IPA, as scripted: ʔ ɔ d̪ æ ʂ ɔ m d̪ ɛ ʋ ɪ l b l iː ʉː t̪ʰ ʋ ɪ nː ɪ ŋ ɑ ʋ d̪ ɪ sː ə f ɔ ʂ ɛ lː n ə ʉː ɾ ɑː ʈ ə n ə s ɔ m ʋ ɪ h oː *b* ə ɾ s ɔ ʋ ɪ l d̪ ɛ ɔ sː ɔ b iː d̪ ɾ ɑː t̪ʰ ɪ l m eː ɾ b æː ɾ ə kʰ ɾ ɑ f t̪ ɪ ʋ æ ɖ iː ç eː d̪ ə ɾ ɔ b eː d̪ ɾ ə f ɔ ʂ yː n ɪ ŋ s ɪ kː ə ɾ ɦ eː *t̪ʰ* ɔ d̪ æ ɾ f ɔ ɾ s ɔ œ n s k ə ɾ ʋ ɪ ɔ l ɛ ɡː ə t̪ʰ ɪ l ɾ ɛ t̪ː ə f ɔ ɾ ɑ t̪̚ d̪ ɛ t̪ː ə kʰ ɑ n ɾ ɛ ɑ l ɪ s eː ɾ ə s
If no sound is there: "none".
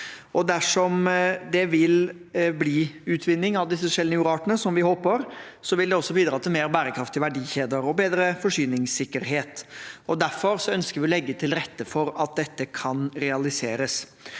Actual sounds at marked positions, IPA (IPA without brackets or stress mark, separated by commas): p, t̪